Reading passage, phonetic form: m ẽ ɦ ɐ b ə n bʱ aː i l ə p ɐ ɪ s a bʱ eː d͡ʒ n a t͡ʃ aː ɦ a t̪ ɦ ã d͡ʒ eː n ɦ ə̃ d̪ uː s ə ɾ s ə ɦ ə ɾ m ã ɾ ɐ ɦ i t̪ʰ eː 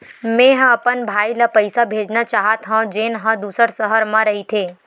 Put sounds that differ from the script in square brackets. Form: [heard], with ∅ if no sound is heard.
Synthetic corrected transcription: m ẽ ɦ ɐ [p] ə n bʱ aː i l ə p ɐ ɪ s a bʱ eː d͡ʒ n a t͡ʃ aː ɦ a t̪ ɦ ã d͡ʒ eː n ɦ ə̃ d̪ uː s ə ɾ s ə ɦ ə ɾ m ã ɾ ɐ ɦ i t̪ʰ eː